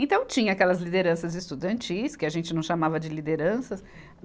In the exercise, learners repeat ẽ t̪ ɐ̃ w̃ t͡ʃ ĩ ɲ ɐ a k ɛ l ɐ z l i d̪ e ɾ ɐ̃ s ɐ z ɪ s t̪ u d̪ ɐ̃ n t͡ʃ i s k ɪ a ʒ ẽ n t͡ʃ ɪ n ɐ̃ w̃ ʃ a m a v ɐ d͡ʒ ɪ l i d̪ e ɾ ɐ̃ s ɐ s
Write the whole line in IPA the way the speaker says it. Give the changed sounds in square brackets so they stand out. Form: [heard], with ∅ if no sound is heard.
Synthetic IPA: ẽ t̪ ɐ̃ w̃ t͡ʃ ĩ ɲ ɐ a k ɛ l ɐ z l i d̪ e ɾ ɐ̃ s ɐ z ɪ s t̪ u d̪ ɐ̃ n t͡ʃ i s k ɪ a ʒ ẽ n t͡ʃ ɪ n ɐ̃ w̃ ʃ a m a v ɐ d͡ʒ ɪ l i d̪ e ɾ ɐ̃ s ɐ s